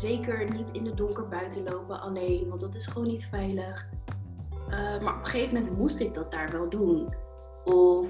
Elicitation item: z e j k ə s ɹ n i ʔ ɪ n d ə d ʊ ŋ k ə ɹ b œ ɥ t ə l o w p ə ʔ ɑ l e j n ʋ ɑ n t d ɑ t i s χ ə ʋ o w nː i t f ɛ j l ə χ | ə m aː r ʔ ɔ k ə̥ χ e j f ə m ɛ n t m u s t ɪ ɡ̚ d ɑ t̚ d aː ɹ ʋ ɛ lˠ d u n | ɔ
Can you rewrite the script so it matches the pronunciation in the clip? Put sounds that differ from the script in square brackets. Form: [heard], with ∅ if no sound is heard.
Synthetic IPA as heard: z e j k ə [∅] ɹ n i [t] ɪ n d ə d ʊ ŋ k ə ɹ b œ ɥ t ə l o w p ə ʔ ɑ l e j n ʋ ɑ n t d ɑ t [ɪ] s χ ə ʋ o w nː i t f ɛ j l ə χ | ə m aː [ɹ] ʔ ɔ [p] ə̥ χ e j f ə m ɛ n t m u s t ɪ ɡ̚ d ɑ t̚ d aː ɹ ʋ ɛ lˠ d u n | ɔ